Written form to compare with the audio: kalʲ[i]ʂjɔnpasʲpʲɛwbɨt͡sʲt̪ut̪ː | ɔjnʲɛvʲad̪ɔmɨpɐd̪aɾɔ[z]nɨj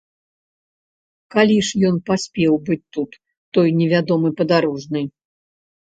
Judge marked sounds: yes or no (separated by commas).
yes, no